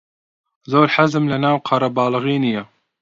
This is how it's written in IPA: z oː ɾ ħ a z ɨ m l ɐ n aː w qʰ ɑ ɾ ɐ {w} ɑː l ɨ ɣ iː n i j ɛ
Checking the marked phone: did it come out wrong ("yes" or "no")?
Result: yes